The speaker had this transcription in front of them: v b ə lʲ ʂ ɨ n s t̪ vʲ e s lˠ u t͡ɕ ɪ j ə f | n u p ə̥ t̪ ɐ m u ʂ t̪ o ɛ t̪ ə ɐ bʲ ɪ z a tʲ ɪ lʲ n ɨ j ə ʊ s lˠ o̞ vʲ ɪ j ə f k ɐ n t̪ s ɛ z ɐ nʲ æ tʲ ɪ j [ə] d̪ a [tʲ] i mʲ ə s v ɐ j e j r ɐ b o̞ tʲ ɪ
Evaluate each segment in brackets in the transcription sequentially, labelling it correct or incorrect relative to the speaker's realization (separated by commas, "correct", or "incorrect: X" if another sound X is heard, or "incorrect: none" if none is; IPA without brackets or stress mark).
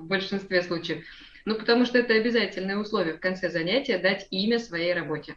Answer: correct, correct